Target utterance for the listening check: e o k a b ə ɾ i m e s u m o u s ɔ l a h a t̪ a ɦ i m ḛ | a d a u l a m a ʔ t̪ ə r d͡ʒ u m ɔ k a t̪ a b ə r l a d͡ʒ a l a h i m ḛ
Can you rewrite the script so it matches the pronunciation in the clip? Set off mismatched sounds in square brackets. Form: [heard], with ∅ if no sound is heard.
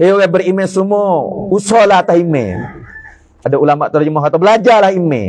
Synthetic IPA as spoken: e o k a b ə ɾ i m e s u m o u s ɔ l a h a t̪ a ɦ i m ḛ | a d a u l a m a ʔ t̪ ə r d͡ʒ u m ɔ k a t̪ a b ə [∅] l a d͡ʒ a l a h i m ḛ